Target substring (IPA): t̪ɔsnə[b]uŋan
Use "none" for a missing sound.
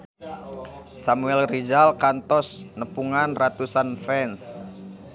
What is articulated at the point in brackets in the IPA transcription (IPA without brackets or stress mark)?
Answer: p